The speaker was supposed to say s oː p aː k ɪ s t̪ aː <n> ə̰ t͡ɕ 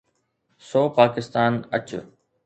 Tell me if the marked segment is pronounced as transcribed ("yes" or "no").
yes